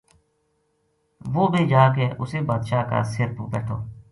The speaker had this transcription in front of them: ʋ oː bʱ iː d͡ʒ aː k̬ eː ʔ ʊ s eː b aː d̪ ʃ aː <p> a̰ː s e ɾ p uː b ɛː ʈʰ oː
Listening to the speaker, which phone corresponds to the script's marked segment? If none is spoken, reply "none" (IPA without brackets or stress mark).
k